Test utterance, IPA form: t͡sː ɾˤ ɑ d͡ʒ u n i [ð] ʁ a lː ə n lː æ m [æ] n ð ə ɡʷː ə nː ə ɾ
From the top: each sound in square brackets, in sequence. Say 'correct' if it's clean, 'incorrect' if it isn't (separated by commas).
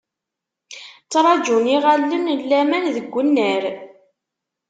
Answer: incorrect, correct